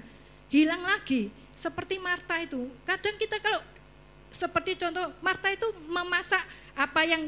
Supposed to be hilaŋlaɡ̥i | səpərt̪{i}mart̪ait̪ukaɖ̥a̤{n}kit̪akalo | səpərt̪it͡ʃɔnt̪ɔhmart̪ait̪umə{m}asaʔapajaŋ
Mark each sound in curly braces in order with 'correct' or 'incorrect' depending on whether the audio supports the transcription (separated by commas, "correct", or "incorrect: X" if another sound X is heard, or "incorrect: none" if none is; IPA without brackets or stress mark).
correct, incorrect: ŋ, correct